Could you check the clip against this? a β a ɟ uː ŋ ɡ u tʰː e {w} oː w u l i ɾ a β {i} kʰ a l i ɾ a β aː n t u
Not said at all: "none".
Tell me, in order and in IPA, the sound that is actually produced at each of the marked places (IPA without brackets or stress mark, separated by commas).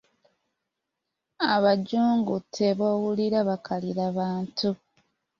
β, a